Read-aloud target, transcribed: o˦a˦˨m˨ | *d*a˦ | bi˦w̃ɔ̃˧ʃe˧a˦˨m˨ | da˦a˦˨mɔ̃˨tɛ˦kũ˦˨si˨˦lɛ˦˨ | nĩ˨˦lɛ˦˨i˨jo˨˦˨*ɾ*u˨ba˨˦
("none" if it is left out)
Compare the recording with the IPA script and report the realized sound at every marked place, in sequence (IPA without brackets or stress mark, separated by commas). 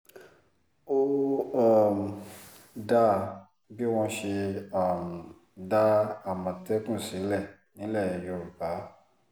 d, ɾ